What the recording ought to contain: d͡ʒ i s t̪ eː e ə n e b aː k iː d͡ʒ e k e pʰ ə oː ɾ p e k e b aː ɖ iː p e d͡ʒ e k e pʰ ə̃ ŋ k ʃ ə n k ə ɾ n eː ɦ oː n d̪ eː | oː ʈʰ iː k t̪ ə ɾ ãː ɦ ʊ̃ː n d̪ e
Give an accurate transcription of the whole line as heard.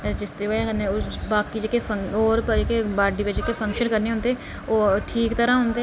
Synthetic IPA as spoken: d͡ʒ ɪ s t̪ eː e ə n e b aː k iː d͡ʒ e k e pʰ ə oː ɾ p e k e b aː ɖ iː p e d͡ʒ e k e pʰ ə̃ ŋ k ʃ ə n k ə ɾ n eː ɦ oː n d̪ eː | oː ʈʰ iː k t̪ ə ɾ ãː ɦ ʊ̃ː n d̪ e